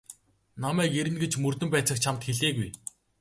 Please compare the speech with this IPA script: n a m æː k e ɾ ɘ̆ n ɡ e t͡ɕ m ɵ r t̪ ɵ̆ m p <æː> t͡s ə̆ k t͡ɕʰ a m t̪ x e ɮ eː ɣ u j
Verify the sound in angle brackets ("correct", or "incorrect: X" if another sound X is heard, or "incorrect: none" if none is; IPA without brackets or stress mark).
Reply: correct